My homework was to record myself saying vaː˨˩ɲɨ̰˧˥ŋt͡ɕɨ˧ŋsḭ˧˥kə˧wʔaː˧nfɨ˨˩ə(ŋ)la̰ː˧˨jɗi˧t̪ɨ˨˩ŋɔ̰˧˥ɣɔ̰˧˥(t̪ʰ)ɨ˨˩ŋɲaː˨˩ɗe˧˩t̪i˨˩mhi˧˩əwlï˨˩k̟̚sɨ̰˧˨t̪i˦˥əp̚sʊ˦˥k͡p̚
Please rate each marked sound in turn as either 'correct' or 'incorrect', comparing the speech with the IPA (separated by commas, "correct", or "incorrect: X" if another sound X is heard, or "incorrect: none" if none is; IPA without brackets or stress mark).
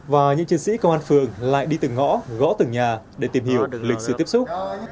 correct, incorrect: t̪